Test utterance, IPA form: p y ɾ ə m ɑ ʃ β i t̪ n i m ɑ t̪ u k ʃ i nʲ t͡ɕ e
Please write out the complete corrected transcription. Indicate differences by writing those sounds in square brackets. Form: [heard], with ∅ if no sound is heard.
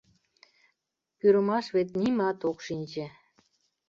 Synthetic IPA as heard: p y ɾ ə m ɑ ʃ β [e] t̪ n i m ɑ t̪ [o] k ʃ i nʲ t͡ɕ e